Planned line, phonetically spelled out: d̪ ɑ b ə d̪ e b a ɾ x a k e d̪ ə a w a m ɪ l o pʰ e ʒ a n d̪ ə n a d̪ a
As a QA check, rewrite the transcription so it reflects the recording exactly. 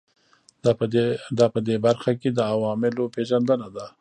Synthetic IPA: d̪ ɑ p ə d̪ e b a ɾ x a k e d̪ ə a w ɑ m ɪ l o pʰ e ʒ a n d̪ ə n a d̪ a